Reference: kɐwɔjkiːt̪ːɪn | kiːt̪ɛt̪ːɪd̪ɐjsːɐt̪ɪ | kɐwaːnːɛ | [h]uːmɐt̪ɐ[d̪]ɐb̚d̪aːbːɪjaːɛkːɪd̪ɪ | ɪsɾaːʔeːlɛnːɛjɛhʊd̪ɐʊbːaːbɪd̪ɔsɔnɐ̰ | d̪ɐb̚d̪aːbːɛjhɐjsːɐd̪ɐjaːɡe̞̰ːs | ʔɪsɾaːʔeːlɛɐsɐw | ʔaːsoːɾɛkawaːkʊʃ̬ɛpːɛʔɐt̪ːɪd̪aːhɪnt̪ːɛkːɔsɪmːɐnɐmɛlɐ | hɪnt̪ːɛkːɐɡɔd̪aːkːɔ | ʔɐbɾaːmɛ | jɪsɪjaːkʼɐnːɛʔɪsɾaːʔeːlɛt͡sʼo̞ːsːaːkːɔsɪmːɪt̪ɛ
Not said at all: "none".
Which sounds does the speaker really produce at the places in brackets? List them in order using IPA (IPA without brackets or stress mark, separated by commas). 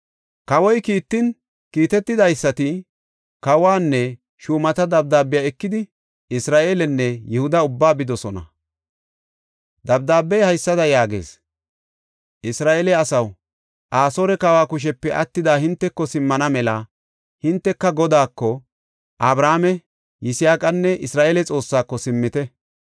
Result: ʃ, d̪